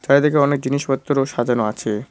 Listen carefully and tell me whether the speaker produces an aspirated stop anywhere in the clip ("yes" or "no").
yes